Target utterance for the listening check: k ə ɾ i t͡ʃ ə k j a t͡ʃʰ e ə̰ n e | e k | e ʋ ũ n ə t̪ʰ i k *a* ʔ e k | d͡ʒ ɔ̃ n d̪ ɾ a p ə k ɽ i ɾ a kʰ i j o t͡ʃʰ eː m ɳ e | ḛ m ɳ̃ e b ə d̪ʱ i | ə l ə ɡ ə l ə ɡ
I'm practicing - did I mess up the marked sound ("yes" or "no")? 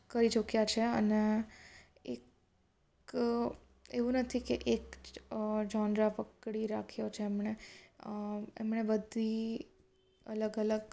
yes